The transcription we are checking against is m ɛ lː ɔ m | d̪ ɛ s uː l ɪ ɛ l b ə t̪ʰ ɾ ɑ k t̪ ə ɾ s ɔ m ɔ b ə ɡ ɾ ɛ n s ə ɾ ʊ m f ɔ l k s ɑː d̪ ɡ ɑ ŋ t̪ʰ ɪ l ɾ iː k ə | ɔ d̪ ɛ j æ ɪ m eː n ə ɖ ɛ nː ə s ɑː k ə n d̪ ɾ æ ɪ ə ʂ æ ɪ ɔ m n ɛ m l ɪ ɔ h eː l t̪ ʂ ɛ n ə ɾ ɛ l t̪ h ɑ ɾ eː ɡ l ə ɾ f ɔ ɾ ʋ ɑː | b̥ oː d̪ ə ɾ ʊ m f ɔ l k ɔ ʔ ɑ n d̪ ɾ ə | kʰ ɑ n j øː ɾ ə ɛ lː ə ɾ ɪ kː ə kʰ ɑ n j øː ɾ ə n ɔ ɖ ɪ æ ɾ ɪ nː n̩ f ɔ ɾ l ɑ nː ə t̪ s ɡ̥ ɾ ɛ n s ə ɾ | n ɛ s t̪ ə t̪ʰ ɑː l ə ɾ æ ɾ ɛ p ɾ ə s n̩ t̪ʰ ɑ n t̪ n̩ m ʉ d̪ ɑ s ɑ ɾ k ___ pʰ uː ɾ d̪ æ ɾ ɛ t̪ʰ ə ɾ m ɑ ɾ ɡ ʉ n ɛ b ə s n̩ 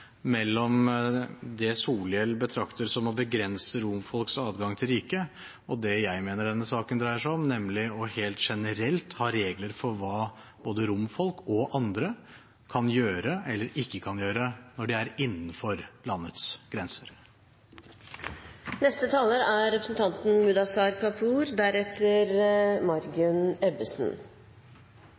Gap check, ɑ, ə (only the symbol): ɑ